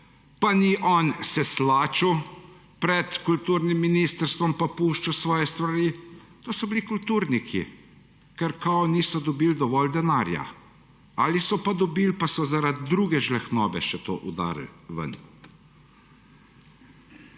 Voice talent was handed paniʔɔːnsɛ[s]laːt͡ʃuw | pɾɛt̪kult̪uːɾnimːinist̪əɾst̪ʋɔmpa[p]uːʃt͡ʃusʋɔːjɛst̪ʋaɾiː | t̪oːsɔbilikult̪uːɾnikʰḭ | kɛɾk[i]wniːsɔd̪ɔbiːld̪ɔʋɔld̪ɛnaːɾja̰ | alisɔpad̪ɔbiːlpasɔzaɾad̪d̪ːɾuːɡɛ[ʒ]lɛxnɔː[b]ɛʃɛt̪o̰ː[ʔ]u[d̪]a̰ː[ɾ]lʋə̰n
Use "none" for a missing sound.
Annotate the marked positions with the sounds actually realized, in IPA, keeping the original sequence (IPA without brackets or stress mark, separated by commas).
s, p, a, ʒ, b, ʔ, d̪, ɾ